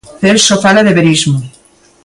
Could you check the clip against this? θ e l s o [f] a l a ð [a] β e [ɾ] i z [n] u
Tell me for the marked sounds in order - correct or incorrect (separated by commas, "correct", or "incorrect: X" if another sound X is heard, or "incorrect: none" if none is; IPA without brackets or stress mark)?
correct, incorrect: e, correct, incorrect: m